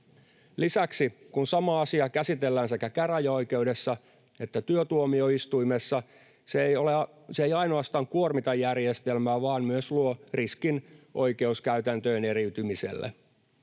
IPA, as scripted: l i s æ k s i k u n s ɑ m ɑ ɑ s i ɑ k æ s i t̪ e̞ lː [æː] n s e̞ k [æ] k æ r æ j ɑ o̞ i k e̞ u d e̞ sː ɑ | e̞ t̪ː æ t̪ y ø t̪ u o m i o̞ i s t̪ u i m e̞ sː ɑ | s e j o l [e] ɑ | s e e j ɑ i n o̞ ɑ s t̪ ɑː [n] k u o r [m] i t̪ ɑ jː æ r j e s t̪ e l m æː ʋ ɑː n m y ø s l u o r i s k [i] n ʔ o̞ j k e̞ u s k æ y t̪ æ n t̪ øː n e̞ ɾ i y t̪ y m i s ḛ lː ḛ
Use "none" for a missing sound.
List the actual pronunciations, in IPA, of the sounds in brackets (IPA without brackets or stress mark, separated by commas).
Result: æː, æ, e, ŋ, m, i